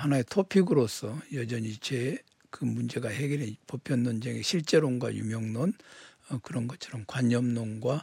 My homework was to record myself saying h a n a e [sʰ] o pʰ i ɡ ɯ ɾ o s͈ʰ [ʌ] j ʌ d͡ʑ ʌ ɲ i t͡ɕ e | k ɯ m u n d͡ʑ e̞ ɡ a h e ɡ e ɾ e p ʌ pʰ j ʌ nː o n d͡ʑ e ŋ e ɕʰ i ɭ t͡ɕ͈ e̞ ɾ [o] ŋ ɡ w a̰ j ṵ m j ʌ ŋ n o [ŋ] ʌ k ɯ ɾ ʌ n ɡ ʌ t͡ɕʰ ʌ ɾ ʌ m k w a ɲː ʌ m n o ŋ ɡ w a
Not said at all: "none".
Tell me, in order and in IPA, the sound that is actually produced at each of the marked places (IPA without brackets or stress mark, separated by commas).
tʰ, ʌ, o, n